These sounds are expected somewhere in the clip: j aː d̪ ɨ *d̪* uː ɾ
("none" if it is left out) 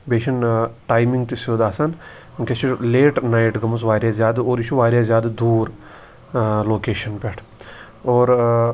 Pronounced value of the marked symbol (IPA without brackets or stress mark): d̪